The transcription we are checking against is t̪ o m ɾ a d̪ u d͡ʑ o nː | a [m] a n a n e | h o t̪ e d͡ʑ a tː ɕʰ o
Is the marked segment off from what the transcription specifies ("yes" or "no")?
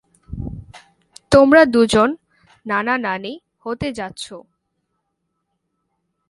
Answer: yes